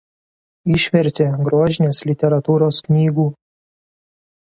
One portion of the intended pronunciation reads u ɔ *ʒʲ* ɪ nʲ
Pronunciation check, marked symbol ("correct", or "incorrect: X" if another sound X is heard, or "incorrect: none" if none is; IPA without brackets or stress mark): correct